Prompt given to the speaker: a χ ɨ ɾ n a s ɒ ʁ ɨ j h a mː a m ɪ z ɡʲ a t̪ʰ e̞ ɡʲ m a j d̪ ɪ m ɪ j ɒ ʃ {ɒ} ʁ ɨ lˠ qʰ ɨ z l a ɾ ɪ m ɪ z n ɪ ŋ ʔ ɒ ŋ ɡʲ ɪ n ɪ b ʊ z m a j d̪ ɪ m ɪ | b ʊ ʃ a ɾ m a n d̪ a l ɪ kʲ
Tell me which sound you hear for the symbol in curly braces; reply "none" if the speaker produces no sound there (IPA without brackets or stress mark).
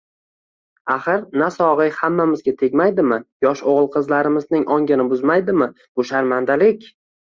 o